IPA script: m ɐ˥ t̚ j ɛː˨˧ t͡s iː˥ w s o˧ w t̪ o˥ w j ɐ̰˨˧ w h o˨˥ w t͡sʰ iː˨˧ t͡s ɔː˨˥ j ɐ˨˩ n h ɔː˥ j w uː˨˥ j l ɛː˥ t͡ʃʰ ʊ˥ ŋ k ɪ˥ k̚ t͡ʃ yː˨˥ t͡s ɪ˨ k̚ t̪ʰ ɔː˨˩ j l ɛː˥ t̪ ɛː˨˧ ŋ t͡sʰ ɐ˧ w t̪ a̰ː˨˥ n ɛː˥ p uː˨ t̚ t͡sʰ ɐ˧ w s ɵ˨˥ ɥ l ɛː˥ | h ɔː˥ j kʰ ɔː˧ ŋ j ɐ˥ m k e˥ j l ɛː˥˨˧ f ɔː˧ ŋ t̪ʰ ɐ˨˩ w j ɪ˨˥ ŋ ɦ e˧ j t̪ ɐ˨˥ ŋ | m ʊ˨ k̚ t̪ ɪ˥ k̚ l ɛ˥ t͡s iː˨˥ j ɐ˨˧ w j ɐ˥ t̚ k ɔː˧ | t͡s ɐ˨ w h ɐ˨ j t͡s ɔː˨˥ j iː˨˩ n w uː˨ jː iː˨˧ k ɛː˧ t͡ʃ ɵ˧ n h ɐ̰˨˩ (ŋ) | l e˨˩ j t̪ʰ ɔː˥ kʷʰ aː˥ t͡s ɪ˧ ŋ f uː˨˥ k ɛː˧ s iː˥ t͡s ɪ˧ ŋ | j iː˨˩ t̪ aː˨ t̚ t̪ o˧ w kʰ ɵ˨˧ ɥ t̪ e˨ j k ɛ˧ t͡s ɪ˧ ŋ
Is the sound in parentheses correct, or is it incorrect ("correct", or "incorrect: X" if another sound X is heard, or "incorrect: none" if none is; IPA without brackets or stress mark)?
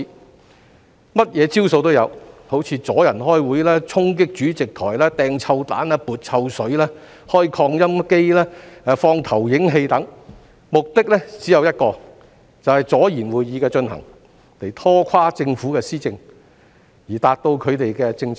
correct